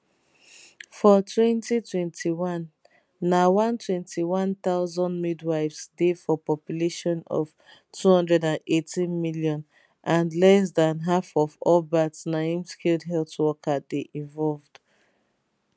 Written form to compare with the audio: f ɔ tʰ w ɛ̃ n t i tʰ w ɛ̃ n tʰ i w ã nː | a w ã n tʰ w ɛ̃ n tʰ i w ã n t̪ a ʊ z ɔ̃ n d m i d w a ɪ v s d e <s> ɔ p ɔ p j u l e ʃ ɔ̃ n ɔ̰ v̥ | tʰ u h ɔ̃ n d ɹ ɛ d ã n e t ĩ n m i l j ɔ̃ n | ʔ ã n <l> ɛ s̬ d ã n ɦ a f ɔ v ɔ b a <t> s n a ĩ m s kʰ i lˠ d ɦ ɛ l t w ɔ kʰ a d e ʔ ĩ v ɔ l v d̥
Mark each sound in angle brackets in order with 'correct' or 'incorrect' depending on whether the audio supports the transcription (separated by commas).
incorrect, correct, correct